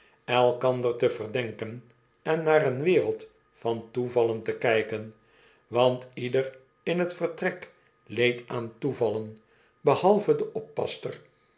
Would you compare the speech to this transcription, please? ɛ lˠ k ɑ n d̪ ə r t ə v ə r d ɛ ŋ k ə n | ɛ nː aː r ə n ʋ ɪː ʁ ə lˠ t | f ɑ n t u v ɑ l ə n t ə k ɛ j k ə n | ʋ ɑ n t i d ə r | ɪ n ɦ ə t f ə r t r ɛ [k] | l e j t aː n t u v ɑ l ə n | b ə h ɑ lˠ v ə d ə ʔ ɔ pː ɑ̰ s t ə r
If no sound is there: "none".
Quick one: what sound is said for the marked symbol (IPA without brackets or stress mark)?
k